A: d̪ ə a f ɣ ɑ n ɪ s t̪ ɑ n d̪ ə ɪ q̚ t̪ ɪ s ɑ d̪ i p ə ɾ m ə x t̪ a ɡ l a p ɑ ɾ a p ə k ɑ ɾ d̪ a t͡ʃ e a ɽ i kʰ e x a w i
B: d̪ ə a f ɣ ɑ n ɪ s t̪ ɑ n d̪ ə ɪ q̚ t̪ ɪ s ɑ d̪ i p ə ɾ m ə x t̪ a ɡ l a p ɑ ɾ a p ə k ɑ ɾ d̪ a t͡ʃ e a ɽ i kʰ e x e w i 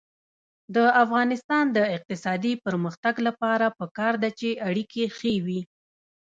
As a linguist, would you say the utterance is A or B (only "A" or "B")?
B